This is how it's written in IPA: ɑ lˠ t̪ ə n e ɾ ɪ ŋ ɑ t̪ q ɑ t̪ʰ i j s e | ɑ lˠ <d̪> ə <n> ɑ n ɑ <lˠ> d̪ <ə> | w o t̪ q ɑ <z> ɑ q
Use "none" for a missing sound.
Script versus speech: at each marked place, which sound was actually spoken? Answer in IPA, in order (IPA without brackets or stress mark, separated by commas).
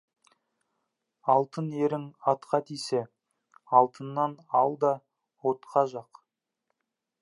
t̪, nː, lˠ, ɑ, ʒ